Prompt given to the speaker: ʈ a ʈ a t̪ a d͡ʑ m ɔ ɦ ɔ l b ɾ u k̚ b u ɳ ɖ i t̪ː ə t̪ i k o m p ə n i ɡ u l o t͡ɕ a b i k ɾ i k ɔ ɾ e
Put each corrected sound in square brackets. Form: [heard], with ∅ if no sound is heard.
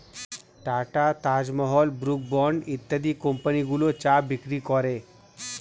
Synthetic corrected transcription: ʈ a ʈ a t̪ a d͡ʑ m ɔ ɦ ɔ l b ɾ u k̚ b [ɔ] ɳ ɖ i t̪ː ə [d̪] i k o m p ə n i ɡ u l o t͡ɕ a b i k ɾ i k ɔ ɾ e